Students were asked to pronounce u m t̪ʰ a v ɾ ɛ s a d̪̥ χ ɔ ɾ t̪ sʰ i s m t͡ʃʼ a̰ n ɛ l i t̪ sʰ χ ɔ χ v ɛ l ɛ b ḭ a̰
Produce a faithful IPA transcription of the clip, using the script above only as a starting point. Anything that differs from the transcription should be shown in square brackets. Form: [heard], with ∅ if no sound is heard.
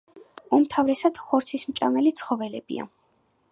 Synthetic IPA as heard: u m t̪ʰ a v ɾ ɛ s a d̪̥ χ ɔ ɾ t̪ sʰ i s m t͡ʃʼ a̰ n ɛ l i t̪ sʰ χ ɔ [∅] v ɛ l ɛ b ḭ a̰